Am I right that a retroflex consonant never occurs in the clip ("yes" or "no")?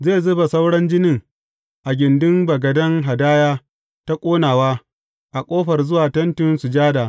no